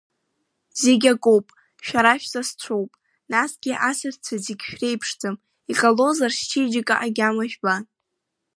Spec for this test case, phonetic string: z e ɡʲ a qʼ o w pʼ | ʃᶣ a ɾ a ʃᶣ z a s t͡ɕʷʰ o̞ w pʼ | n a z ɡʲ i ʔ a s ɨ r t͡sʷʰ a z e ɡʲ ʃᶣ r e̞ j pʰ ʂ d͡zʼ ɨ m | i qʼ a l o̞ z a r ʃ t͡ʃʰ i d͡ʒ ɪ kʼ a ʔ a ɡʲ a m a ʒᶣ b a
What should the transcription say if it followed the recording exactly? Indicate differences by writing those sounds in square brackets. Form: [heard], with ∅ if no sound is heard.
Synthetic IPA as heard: z e ɡʲ a [kʼ] o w pʼ | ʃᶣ a ɾ a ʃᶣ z a s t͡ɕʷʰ o̞ w pʼ | n a [s] ɡʲ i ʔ a s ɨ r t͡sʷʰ a z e ɡʲ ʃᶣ r e̞ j pʰ ʂ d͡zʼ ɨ m | i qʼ a l o̞ z a r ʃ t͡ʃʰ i d͡ʒ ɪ kʼ a ʔ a ɡʲ a m a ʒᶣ b a